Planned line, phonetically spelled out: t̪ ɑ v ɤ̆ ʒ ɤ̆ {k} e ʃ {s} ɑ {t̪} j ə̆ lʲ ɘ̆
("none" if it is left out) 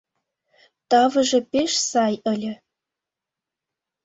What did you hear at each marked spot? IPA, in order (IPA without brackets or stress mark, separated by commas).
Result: p, s, none